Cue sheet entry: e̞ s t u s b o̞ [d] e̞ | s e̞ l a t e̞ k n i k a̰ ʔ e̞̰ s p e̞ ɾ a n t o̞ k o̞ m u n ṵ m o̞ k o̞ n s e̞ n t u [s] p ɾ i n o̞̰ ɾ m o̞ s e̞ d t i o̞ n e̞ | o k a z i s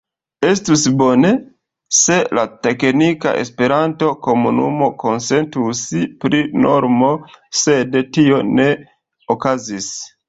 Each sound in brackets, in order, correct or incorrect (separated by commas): incorrect, correct